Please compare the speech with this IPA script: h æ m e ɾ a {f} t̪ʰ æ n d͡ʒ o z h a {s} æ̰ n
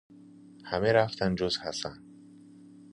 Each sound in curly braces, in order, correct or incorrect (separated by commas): correct, correct